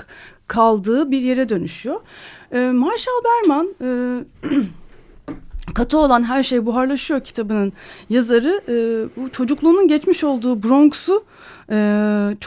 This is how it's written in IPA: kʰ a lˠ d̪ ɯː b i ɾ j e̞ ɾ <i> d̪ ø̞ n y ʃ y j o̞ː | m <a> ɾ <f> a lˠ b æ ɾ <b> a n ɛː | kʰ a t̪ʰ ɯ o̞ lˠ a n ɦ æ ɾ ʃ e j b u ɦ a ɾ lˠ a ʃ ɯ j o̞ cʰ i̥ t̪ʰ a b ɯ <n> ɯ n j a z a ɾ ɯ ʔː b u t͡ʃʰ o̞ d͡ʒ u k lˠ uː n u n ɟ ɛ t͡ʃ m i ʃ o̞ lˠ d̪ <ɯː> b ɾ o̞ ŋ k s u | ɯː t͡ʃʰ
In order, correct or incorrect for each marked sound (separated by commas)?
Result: incorrect, correct, incorrect, incorrect, correct, incorrect